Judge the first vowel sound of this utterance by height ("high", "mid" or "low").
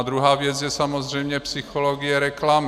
high